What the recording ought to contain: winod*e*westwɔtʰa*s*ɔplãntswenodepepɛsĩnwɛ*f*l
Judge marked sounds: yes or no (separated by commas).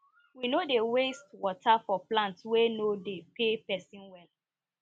yes, no, no